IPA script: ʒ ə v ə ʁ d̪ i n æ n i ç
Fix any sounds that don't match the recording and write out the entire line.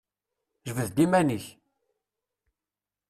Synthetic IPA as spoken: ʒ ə v ə ð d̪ i m æ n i ç